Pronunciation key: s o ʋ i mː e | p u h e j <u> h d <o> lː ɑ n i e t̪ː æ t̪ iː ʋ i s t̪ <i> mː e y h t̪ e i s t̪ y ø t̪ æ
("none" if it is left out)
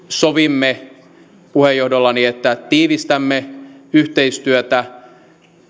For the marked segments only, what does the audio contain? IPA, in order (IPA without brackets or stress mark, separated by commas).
o, o, æ